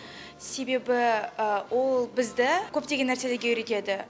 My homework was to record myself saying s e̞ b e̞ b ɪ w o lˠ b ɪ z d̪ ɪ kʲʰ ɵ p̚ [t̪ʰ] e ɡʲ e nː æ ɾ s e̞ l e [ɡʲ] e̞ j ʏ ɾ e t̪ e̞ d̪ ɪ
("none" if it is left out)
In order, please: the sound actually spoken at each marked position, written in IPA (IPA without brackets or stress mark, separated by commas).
t̪, ɡʲ